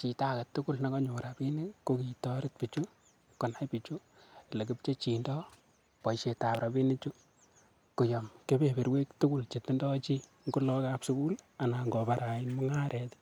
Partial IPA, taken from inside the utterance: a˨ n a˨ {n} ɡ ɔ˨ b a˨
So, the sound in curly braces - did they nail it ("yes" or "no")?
no